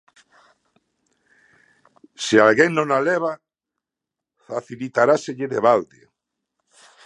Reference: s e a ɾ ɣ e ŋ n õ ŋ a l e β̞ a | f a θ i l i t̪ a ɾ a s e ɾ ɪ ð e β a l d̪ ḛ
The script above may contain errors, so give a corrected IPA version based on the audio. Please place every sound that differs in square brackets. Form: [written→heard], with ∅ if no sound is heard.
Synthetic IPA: s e a [ɾ→l] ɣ e ŋ n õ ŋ a l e β̞ a | f a θ i l i t̪ a ɾ a s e [ɾ→ʎ] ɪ ð e β a l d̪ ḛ